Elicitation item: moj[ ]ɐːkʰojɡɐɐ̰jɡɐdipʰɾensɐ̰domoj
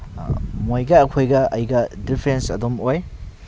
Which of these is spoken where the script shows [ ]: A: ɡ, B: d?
A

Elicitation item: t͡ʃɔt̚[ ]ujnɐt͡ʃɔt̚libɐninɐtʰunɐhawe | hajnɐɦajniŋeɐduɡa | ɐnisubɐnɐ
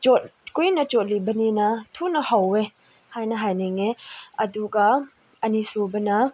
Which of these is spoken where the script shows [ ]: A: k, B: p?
A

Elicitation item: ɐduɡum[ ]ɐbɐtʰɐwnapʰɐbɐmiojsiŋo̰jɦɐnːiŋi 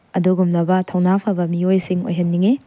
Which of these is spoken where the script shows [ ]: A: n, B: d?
A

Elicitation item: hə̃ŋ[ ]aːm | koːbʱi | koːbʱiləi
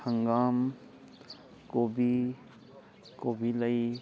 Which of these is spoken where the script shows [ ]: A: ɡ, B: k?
A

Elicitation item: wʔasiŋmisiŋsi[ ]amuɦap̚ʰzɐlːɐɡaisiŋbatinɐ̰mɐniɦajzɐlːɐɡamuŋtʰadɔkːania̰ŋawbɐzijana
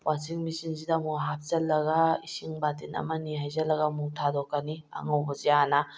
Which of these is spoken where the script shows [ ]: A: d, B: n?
A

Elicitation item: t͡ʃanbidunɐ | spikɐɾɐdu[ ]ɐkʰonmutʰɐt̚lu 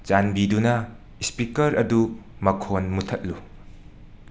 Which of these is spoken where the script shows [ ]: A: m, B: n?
A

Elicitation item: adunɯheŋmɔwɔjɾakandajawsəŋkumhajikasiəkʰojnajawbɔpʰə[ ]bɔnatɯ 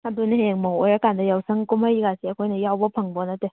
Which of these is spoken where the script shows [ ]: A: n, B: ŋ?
B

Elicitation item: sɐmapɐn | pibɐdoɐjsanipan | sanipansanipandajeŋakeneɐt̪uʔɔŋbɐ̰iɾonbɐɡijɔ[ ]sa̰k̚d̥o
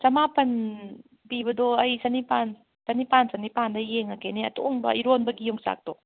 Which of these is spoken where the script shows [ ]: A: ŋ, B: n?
A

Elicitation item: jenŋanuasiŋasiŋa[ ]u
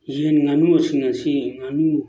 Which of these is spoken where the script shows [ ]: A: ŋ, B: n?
B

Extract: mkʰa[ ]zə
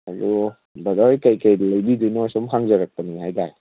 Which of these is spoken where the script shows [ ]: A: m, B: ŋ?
B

